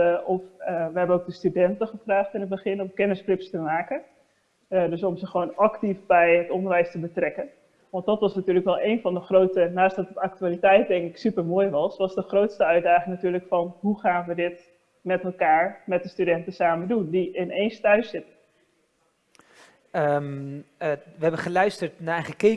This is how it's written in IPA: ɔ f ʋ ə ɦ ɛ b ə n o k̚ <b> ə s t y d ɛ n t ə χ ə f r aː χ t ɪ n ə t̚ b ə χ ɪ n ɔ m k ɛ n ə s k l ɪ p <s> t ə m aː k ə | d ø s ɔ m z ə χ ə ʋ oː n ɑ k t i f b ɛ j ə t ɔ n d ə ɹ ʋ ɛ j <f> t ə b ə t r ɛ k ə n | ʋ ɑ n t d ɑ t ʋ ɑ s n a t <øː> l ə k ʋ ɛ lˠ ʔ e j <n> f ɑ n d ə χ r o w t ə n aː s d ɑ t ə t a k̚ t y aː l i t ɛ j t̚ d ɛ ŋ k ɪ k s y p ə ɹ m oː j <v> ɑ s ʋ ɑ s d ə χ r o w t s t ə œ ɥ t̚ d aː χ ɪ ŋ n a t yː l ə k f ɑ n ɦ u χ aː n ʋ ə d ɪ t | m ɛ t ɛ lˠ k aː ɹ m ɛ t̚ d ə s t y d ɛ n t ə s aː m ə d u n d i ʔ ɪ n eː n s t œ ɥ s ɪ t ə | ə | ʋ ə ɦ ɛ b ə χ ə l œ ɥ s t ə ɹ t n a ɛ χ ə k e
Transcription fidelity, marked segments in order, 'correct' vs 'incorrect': incorrect, correct, incorrect, incorrect, correct, incorrect

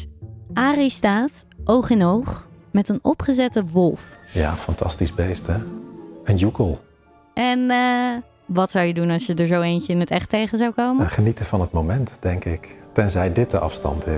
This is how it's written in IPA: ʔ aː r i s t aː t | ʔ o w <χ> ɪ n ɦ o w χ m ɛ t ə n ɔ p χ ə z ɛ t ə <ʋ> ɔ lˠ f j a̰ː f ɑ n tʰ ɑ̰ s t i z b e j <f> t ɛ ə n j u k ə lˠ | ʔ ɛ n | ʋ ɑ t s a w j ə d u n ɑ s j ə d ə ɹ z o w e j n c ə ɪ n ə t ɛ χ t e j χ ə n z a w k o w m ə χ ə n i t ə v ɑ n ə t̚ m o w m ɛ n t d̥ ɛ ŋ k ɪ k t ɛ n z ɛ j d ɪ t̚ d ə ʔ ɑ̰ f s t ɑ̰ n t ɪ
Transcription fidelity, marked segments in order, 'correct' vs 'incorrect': correct, correct, incorrect

